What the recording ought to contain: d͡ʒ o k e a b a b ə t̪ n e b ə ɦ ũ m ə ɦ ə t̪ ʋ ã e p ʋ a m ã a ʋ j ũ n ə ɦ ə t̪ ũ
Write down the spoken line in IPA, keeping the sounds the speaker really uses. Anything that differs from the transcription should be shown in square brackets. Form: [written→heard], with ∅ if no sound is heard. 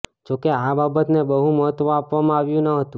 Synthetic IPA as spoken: d͡ʒ o k e a b a b ə t̪ n e b ə ɦ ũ m ə ɦ ə t̪ ʋ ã [e→a] p ʋ a m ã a ʋ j ũ n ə ɦ ə t̪ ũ